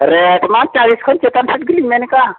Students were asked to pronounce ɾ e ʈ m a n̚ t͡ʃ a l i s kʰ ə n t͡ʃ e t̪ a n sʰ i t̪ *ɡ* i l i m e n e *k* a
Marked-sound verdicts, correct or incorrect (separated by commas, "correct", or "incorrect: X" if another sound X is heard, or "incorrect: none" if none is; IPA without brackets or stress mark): correct, correct